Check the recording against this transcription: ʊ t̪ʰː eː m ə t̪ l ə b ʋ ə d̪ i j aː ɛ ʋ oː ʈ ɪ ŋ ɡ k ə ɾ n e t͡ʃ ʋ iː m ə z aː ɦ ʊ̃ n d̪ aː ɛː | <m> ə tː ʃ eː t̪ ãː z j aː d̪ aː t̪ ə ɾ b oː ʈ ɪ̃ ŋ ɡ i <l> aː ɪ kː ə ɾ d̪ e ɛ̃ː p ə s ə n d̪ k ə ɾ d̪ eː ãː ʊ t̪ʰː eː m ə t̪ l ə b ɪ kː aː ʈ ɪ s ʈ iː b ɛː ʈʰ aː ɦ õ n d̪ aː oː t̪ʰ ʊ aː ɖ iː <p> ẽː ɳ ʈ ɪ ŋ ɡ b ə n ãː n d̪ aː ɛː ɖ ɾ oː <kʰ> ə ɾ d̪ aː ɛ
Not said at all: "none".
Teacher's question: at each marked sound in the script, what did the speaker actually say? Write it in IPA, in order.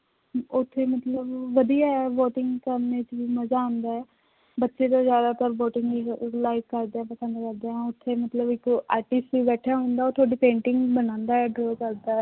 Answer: b, l, p, k

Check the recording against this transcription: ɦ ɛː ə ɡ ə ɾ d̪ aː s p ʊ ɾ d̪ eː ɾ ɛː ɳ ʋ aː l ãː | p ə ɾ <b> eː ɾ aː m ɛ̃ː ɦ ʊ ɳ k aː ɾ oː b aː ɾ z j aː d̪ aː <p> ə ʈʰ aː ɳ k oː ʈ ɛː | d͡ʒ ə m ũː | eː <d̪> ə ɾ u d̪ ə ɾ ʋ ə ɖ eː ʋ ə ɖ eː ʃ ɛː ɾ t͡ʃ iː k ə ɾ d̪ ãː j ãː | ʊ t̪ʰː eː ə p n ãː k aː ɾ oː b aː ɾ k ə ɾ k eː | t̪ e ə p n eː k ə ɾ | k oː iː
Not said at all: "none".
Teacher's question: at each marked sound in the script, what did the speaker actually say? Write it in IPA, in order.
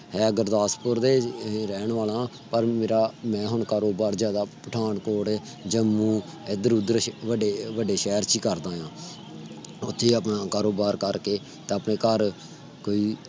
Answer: m, p, d̪

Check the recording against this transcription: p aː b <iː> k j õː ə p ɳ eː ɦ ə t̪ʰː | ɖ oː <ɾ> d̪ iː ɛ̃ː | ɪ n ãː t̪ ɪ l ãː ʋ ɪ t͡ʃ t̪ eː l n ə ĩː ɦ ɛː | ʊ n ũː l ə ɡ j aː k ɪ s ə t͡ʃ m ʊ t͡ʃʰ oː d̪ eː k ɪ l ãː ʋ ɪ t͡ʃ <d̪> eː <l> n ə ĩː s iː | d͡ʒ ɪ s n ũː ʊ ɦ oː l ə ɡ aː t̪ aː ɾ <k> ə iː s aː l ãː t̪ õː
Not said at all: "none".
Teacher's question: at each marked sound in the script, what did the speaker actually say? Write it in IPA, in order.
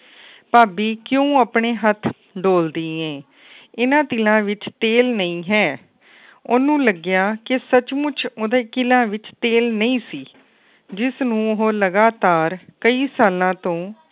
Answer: iː, l, t̪, l, k

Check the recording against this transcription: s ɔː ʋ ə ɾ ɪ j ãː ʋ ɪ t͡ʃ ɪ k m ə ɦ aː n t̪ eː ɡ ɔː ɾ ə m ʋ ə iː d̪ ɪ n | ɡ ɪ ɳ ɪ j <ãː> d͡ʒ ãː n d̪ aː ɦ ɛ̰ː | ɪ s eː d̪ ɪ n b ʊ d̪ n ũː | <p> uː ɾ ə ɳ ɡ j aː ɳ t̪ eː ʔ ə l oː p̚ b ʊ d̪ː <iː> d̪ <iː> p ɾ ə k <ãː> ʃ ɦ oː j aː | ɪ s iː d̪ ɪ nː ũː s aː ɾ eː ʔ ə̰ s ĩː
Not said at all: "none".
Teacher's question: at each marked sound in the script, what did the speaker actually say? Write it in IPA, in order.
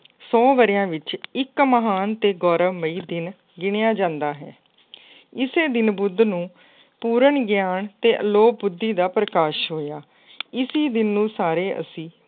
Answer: aː, p, iː, aː, aː

